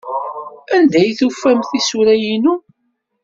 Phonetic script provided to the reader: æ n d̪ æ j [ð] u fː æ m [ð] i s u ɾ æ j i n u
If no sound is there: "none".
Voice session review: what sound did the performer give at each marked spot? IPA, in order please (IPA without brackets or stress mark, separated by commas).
θ, θ